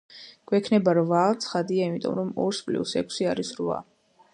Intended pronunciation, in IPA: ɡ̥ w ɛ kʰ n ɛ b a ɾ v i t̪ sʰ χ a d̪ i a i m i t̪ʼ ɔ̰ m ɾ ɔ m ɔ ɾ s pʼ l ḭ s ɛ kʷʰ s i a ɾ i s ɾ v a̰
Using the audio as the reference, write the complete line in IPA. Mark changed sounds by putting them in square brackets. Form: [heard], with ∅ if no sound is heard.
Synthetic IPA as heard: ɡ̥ w ɛ kʰ n ɛ b a ɾ v [a] t̪ sʰ χ a d̪ i a i m i t̪ʼ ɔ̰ m ɾ ɔ m ɔ ɾ s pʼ l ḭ s ɛ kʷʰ s i a ɾ i s ɾ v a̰